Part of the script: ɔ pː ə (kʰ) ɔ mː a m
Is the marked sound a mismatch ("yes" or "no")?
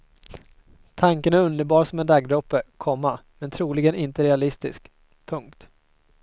no